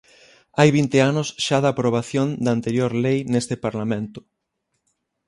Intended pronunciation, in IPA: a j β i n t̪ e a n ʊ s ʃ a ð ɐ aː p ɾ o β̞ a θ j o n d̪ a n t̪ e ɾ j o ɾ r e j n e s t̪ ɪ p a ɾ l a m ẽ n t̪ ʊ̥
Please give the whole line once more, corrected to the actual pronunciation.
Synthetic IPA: a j β i n t̪ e a n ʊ s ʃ a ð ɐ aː p ɾ o β̞ a θ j o n d̪ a n t̪ e ɾ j o ɾ l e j n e s t̪ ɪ p a ɾ l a m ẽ n t̪ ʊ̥